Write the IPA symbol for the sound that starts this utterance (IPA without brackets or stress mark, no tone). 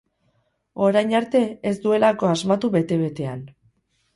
o̞